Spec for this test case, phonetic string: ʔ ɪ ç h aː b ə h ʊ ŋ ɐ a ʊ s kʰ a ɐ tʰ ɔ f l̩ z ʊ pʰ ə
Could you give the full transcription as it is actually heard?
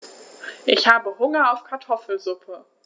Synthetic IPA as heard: ʔ ɪ ç h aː b ə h ʊ ŋ ɐ a ʊ f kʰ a ɐ tʰ ɔ f l̩ z ʊ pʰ ə